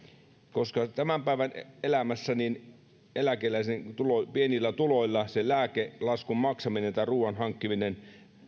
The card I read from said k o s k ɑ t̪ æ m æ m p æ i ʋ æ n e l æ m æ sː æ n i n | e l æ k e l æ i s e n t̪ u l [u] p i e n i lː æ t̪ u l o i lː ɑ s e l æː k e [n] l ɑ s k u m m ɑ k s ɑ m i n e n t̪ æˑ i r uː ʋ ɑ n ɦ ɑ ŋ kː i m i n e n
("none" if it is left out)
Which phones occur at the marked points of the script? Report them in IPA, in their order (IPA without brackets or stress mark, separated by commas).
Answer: o, none